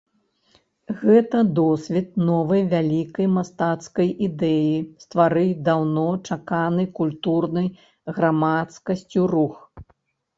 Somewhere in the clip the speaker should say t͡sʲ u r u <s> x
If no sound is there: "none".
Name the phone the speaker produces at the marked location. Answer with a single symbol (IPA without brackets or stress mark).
none